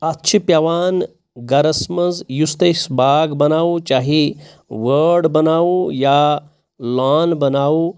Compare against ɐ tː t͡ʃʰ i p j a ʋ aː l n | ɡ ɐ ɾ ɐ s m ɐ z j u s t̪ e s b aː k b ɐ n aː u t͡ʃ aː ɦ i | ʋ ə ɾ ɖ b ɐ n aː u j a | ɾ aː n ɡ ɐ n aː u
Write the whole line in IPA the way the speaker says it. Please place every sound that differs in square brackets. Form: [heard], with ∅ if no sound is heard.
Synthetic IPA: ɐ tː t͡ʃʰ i p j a ʋ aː [∅] n | ɡ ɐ ɾ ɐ s m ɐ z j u s t̪ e s b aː [ɡ] b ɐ n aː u t͡ʃ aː ɦ i | ʋ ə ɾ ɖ b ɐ n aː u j a | [l] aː n [b] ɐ n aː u

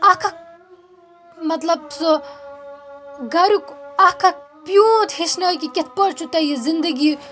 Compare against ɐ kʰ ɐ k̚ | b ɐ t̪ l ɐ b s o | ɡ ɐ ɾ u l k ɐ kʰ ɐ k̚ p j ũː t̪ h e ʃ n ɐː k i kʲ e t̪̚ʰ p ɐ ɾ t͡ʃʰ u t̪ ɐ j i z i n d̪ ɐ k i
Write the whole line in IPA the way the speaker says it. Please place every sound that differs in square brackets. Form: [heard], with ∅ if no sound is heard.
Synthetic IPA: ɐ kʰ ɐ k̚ | [m] ɐ t̪ l ɐ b s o | ɡ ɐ ɾ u [∅] k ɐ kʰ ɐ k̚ p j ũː t̪ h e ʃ n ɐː k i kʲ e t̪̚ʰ p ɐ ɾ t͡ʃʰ u t̪ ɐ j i z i n d̪ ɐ [ɡ] i

